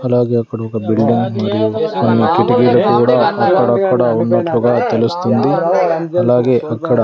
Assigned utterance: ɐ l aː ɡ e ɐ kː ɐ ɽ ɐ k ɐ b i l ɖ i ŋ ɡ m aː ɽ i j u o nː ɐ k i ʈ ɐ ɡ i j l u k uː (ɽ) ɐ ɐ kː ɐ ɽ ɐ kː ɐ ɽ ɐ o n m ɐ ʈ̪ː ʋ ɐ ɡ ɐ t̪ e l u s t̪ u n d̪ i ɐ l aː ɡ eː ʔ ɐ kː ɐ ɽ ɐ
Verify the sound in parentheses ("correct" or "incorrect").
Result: correct